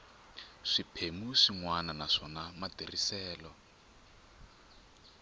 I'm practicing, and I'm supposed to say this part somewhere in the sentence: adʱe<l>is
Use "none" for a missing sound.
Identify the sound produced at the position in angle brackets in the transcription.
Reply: r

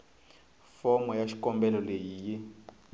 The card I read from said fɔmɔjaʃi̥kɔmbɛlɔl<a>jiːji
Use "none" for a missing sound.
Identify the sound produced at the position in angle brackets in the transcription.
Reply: e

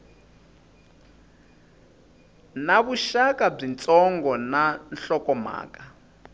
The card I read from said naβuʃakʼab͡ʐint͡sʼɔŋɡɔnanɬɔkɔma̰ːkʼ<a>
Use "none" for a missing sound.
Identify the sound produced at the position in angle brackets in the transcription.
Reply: a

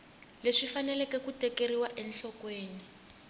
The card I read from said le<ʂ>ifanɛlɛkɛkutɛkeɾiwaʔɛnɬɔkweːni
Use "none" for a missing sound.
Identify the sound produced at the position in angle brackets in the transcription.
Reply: ʂ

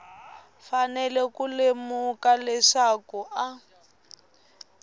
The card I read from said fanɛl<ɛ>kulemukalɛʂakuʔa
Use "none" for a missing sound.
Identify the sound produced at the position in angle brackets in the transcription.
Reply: ɛ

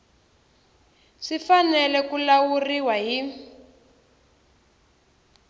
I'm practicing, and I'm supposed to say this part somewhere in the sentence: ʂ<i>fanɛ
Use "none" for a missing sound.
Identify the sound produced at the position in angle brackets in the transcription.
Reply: i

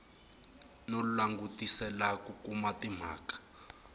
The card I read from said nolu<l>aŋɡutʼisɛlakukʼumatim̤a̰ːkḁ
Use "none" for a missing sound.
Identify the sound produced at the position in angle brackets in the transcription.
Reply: l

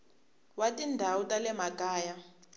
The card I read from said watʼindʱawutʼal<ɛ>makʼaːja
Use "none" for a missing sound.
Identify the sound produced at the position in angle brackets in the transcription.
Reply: ɛ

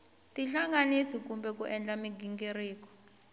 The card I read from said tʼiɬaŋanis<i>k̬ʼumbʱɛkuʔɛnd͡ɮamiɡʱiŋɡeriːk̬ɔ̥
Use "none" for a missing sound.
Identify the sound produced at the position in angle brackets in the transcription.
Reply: i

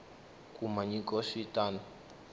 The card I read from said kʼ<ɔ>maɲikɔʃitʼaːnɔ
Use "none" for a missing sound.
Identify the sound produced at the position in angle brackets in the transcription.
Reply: u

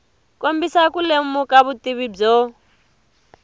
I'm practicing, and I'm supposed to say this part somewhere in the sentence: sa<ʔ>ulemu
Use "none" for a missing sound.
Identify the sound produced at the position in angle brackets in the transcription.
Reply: k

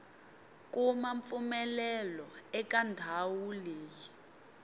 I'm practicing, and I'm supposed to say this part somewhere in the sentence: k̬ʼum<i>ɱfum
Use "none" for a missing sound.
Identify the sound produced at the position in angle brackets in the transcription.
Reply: a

